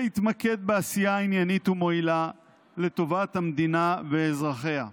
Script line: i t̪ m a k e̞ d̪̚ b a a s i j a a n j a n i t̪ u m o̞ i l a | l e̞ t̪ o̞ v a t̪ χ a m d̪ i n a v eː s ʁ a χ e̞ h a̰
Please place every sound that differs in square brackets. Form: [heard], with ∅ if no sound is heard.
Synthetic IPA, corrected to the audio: i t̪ m a k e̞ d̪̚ b [e] a s i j a [i] n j a n i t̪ u m o̞ i l a | l e̞ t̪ o̞ v a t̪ [h] a m d̪ i n a v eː [z] ʁ a χ e̞ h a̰